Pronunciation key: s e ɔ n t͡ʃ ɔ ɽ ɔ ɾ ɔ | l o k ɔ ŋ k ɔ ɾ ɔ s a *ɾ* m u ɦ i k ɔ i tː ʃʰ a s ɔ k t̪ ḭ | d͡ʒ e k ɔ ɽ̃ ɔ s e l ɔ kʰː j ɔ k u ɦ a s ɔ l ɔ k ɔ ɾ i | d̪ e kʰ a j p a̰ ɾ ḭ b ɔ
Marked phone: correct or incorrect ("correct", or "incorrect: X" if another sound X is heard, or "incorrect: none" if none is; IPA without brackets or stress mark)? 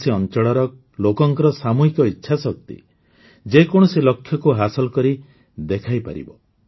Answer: incorrect: none